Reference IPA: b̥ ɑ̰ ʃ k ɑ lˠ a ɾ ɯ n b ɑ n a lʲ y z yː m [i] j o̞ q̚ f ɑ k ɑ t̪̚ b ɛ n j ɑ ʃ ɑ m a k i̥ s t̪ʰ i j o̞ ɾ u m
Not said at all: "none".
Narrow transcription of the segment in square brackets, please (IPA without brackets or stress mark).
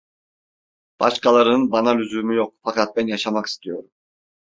y